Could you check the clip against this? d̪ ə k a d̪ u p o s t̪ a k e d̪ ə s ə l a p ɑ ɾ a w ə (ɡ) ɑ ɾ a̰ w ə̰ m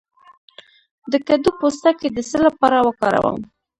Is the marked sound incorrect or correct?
incorrect